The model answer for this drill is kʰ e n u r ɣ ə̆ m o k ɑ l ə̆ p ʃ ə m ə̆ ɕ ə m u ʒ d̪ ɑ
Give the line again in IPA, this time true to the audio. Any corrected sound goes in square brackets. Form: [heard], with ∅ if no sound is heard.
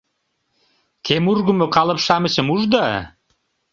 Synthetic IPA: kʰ e [m] u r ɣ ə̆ m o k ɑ l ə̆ p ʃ [ɑ] m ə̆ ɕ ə m u ʒ d̪ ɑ